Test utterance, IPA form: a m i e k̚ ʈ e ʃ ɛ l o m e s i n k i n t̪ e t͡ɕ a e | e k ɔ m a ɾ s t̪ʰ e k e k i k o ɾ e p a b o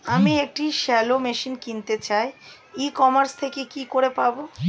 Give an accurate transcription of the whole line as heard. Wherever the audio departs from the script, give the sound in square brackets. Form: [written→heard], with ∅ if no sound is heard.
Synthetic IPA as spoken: a m i e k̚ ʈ [e→i] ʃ ɛ l o m e [s→ʃ] i n k i n t̪ e t͡ɕ a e | [e→i] k ɔ m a ɾ s t̪ʰ e k e k i k o ɾ e p a b o